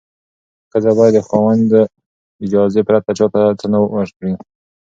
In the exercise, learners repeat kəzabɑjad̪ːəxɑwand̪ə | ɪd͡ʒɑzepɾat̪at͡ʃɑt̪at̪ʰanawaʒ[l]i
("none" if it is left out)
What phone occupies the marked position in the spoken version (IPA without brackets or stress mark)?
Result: ɽ